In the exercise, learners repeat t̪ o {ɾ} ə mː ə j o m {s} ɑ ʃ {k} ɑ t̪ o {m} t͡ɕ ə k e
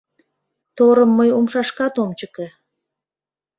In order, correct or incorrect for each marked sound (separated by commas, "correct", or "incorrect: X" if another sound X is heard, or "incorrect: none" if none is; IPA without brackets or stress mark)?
correct, incorrect: ʃ, correct, correct